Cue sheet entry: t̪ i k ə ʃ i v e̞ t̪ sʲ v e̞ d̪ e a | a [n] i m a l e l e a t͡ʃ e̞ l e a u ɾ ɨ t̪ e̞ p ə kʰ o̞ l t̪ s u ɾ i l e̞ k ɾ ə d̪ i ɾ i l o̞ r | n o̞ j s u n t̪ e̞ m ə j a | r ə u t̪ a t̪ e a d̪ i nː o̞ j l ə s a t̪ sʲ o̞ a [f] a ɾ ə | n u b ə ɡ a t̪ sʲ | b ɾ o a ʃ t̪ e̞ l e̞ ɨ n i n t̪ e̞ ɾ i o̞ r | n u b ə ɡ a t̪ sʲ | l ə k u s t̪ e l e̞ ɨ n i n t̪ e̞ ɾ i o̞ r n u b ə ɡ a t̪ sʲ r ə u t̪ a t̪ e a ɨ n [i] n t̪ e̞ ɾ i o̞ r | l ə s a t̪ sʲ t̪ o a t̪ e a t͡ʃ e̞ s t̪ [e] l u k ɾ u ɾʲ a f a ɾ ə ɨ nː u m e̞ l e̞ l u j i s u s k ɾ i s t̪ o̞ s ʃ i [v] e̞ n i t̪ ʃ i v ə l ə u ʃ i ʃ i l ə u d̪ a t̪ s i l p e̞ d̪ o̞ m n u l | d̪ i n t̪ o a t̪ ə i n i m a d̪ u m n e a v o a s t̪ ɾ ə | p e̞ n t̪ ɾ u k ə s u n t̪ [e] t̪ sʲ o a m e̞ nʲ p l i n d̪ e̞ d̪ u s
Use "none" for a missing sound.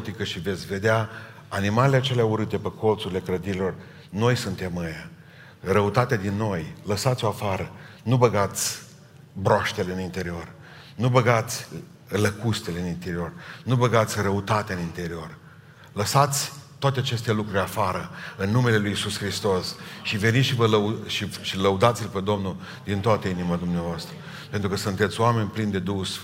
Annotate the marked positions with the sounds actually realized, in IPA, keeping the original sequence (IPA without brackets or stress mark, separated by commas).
n, f, i, e, v, e